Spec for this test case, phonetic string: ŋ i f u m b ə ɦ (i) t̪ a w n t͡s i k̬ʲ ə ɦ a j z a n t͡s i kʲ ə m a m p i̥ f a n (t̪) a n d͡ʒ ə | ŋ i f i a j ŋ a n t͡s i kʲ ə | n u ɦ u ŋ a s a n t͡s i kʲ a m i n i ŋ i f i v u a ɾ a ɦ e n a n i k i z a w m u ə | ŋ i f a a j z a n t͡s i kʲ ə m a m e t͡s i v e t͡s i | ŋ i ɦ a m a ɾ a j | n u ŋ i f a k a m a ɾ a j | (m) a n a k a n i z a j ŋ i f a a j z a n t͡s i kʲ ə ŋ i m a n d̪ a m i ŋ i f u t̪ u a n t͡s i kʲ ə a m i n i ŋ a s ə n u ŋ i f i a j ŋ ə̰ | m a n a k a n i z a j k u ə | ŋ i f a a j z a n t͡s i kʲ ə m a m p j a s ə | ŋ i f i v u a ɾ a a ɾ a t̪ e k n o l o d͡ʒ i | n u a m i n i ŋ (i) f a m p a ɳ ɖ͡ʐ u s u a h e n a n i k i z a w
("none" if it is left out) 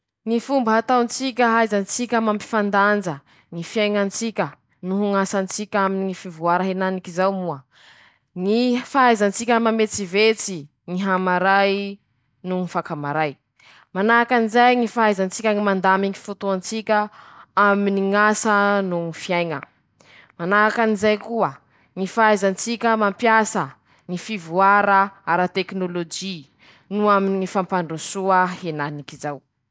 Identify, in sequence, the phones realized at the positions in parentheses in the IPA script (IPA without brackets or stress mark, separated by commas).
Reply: a, d̪, m, i